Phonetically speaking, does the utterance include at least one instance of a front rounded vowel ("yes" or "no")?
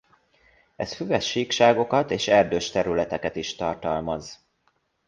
yes